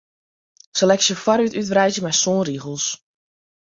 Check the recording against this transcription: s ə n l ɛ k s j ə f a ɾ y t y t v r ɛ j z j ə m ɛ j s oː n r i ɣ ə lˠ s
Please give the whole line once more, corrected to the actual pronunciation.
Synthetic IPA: s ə l ɛ k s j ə f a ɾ y t y t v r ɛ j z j ə m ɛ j s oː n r i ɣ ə lˠ s